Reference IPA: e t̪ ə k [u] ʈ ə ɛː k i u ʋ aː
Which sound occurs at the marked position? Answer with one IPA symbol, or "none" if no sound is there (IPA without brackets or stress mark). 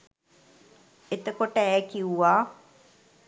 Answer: o